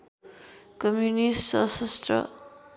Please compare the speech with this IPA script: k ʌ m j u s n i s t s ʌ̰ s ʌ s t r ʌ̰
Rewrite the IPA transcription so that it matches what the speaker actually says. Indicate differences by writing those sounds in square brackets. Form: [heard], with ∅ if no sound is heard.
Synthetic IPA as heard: k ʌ m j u [∅] n i s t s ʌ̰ s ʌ s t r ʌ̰